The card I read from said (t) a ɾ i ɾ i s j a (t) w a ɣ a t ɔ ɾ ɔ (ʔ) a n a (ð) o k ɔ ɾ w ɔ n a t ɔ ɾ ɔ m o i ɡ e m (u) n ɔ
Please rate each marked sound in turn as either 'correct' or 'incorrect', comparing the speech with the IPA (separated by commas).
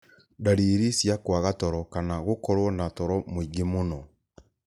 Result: incorrect, incorrect, incorrect, incorrect, incorrect